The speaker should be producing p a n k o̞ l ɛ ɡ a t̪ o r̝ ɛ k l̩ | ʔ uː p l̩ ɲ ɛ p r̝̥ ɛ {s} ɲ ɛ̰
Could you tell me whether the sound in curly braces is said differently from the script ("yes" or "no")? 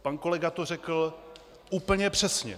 no